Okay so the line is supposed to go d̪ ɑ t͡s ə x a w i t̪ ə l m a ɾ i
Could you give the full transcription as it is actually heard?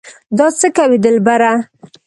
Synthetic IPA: d̪ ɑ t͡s ə k a w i d̪ ə l b a ɾ a